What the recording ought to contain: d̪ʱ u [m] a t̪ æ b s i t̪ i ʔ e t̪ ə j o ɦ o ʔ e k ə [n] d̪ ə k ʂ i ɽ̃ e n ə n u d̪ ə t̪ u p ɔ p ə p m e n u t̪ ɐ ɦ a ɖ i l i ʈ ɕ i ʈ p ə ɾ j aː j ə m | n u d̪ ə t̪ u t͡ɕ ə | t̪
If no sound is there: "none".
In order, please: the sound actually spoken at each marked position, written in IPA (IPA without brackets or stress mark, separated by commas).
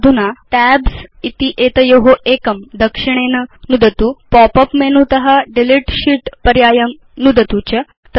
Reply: n, m